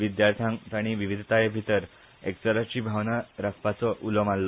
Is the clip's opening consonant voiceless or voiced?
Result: voiced